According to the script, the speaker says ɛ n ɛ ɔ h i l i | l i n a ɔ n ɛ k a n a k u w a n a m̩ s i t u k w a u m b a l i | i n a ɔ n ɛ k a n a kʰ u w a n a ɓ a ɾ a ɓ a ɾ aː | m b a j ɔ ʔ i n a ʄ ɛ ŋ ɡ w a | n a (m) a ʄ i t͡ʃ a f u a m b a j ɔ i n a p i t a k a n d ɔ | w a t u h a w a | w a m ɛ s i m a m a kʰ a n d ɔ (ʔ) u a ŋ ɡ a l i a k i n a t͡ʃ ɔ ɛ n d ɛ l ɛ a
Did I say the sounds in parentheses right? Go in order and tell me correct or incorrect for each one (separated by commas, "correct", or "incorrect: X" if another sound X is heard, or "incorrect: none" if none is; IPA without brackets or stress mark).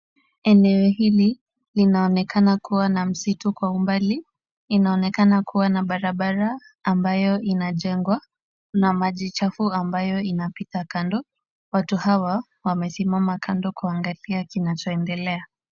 correct, incorrect: k